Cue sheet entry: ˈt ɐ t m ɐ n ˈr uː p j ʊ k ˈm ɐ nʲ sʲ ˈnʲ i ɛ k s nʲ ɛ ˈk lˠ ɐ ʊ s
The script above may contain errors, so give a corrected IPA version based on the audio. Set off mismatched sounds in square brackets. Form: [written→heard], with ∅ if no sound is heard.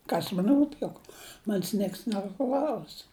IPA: [ˈt→ˈk] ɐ [t→s] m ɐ n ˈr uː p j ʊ k ˈm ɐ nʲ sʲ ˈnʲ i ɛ k s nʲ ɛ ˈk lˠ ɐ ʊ s